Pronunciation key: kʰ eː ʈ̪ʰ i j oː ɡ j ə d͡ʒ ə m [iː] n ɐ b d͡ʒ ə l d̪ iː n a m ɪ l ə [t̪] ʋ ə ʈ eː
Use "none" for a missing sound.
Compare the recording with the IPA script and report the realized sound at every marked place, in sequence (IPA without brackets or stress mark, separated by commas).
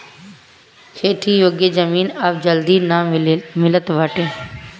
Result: iː, t̪